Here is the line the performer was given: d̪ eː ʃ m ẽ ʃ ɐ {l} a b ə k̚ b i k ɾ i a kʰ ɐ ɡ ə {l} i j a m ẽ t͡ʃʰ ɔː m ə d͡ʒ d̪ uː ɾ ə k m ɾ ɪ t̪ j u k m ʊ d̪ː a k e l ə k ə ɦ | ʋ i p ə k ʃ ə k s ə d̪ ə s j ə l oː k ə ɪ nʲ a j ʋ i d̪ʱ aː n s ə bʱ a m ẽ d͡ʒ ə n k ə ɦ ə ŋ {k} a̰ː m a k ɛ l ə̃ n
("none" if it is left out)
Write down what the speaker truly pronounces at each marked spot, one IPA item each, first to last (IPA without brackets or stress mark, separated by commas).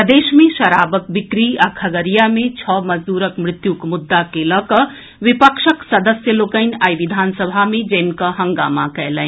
ɾ, ɾ, ɡ